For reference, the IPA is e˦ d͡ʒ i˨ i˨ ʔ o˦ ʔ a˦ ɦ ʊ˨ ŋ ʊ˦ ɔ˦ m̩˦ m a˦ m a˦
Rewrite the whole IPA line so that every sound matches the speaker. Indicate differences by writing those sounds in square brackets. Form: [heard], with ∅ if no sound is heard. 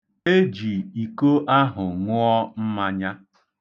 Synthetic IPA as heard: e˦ d͡ʒ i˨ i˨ [k] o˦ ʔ a˦ ɦ ʊ˨ ŋ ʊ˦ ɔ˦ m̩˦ m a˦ [ɲ] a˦